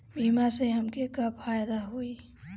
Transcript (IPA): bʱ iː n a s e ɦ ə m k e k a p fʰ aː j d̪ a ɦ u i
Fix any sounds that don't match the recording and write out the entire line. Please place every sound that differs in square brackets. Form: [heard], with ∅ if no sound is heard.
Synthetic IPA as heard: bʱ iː [m] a s e ɦ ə m k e k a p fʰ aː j d̪ a ɦ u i